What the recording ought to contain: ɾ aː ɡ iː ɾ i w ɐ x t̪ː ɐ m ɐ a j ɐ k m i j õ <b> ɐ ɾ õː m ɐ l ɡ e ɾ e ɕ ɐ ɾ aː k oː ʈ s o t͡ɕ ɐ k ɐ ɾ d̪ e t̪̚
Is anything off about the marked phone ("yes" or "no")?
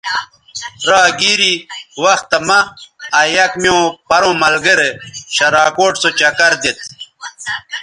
yes